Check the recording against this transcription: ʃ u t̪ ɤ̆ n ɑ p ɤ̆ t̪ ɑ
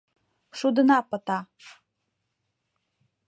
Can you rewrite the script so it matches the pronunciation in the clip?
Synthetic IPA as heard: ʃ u d̪ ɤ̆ n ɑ p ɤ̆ t̪ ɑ